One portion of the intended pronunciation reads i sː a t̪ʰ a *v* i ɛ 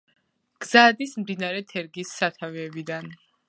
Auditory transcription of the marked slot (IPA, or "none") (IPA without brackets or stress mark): v